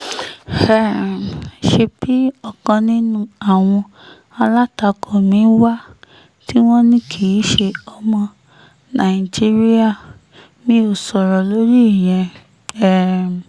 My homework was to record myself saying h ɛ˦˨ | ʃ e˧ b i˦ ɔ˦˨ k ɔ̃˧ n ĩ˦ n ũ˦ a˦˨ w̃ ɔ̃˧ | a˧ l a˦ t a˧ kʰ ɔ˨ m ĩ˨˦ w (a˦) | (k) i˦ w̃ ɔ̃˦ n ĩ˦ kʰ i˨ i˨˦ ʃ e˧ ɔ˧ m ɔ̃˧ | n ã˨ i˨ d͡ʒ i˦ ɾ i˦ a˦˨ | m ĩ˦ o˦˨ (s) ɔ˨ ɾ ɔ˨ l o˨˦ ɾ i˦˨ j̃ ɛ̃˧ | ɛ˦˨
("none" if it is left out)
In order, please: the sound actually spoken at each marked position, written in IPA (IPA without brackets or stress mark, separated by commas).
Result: a˦, t, s